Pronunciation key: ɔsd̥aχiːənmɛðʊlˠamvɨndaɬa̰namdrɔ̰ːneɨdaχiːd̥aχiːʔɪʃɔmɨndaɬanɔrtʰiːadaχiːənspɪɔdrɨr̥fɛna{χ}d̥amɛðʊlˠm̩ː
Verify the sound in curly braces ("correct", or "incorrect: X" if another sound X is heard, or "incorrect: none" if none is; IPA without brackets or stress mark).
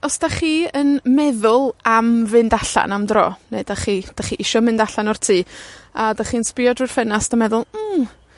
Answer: incorrect: s